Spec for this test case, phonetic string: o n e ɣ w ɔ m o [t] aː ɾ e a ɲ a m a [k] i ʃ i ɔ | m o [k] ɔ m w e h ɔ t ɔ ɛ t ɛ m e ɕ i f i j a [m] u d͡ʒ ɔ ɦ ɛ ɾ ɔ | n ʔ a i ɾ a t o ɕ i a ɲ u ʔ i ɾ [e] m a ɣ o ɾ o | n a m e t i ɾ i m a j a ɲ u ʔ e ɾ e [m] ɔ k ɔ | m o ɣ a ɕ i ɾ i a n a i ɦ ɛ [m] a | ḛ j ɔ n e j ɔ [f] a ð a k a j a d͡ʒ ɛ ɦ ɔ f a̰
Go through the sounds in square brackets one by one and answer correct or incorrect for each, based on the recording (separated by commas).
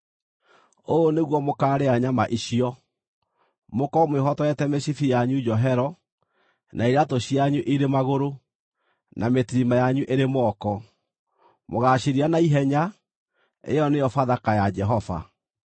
incorrect, incorrect, correct, incorrect, correct, correct, incorrect, correct